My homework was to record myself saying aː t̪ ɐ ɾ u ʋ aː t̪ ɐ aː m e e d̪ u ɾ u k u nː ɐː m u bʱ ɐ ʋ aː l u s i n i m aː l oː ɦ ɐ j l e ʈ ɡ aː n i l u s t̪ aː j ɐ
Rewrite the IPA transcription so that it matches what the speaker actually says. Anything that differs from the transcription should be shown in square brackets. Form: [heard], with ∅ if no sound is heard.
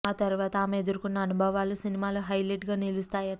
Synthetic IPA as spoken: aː t̪ ɐ ɾ u ʋ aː t̪ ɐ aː m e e d̪ u ɾ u k u nː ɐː [n] u bʱ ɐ ʋ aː l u s i n i m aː l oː ɦ ɐ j l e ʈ ɡ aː n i l u s t̪ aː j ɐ